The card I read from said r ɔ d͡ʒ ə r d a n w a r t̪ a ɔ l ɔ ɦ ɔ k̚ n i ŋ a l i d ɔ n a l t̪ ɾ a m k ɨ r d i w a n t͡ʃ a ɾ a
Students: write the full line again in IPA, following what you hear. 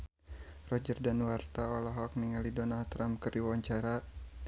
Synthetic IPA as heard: r ɔ d͡ʒ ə r d a n w a r t̪ a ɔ l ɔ ɦ ɔ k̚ n i ŋ a l i d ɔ n a l t̪ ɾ a m k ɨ r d i w a ɲ t͡ʃ a ɾ a